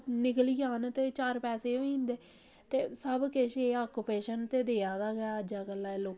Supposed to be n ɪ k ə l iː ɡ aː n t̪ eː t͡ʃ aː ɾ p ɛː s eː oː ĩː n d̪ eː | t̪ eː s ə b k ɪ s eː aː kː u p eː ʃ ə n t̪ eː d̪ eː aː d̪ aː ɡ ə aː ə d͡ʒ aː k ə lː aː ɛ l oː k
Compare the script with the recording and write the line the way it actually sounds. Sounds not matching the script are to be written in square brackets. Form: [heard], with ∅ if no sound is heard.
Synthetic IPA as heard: n ɪ k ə l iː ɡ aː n t̪ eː t͡ʃ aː ɾ p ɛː s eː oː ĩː n d̪ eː | t̪ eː s ə b k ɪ [ʃ] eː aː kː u p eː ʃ ə n t̪ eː d̪ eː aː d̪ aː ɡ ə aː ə d͡ʒ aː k ə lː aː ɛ l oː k

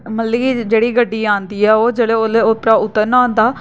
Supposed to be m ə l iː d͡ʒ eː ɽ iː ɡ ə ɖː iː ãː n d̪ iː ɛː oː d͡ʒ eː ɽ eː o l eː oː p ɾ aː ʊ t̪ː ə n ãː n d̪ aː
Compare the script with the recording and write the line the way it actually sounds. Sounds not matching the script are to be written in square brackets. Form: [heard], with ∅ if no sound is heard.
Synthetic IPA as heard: m ə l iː d͡ʒ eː ɽ iː ɡ ə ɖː iː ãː n d̪ iː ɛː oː d͡ʒ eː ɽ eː o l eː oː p ɾ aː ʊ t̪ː ə n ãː n d̪ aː

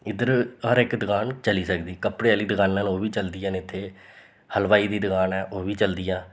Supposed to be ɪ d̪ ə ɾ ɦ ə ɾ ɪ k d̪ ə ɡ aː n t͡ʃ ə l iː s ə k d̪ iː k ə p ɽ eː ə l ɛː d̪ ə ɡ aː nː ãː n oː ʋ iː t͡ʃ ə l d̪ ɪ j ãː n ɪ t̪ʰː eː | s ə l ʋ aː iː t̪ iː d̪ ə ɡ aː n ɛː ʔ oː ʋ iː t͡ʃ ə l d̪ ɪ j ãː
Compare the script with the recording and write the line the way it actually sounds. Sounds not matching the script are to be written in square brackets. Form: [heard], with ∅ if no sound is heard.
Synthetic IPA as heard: ɪ d̪ ə ɾ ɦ ə ɾ ɪ k d̪ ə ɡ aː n t͡ʃ ə l iː s ə k d̪ iː k ə p ɽ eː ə l [iː] d̪ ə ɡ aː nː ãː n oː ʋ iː t͡ʃ ə l d̪ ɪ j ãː n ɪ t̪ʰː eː | [h] ə l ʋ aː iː [d̪] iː d̪ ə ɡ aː n ɛː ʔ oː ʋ iː t͡ʃ ə l d̪ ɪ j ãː

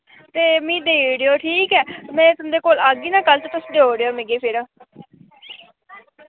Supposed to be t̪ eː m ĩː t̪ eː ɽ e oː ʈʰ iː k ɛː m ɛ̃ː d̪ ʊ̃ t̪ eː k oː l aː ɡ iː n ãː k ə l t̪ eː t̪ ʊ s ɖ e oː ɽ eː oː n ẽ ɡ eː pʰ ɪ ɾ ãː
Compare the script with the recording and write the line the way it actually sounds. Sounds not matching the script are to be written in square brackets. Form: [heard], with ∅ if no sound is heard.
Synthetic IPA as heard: t̪ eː m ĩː [d̪] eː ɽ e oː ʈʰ iː k ɛː m ɛ̃ː [t̪] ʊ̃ [d̪] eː k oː l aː ɡ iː n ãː k ə l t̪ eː t̪ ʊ s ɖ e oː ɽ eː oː [m] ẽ ɡ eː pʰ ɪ ɾ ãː

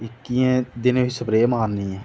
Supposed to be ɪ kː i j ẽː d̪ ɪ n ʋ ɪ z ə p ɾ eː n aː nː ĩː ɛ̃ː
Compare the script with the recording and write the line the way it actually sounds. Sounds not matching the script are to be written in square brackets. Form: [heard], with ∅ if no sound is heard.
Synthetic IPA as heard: ɪ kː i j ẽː d̪ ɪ n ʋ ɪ [s] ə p ɾ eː [m] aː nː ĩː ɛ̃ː

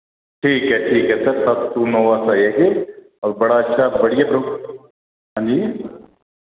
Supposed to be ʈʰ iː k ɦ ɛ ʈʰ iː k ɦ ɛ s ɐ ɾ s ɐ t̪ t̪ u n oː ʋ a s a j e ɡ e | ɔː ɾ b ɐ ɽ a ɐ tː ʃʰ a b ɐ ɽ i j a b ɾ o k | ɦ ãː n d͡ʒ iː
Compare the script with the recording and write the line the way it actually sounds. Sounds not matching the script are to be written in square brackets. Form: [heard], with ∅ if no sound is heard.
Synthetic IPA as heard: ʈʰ iː k ɦ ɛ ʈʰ iː k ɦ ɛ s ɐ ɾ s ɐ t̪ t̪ u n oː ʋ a s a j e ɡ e | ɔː ɾ b ɐ ɽ a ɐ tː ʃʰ a b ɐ ɽ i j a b ɾ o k | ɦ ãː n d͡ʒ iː

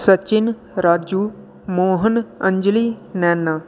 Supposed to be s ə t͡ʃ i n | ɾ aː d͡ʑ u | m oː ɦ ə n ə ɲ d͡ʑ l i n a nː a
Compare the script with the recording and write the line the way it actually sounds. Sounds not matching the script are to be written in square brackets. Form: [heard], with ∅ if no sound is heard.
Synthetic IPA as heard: s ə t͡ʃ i n | ɾ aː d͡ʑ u | m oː ɦ ə n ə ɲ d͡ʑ l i n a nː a

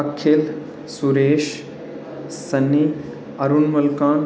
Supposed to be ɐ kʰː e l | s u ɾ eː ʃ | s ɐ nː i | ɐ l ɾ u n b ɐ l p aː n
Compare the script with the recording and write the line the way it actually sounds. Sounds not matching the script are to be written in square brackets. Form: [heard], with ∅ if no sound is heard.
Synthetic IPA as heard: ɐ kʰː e l | s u ɾ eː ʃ | s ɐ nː i | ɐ [∅] ɾ u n [m] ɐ l [k] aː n

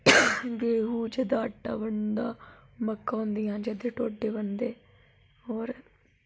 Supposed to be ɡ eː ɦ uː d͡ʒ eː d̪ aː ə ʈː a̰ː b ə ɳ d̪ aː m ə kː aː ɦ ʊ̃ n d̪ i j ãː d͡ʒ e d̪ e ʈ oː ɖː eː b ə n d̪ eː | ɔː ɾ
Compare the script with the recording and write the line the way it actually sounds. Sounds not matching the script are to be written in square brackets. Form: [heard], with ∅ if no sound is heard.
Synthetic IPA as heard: ɡ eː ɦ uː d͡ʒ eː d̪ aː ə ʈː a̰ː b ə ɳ d̪ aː m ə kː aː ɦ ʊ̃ n d̪ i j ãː d͡ʒ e d̪ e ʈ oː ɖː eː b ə n d̪ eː | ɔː ɾ

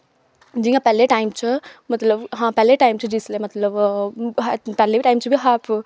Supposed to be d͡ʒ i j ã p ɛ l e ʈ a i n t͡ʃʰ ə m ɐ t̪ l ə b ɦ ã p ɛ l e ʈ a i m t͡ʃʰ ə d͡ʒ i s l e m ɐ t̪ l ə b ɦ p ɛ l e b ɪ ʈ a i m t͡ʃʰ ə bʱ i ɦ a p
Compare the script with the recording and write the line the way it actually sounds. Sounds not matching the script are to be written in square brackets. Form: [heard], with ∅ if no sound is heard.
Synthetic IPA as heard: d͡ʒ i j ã p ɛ l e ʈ a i [m] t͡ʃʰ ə m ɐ t̪ l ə b ɦ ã p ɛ l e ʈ a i m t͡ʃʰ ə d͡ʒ i s l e m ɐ t̪ l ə b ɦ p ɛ l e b [i] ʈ a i m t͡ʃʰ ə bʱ i ɦ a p

